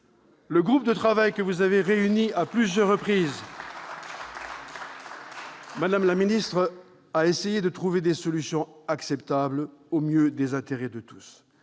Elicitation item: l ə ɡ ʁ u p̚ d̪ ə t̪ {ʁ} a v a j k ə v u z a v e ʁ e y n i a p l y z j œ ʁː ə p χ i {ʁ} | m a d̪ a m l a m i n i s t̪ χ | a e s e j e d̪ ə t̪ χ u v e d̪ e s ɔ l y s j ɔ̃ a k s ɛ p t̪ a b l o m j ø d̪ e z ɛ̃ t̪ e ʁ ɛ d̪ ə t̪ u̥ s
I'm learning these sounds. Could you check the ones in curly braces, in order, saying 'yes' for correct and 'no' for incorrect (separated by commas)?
no, no